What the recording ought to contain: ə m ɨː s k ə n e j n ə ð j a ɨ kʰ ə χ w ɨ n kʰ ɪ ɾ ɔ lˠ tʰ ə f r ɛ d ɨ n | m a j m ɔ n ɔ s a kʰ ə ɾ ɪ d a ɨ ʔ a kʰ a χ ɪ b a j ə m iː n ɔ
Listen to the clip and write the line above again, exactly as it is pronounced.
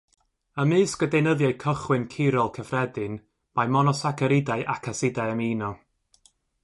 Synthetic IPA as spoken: ə m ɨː s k ə d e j n ə ð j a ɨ kʰ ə χ w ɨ n kʰ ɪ ɾ ɔ lˠ kʰ ə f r ɛ d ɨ n | m a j m ɔ n ɔ s a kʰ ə ɾ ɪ d a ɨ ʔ a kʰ a s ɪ d a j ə m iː n ɔ